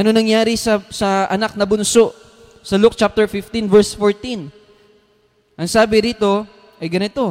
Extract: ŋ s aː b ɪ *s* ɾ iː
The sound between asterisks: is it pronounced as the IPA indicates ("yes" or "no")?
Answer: no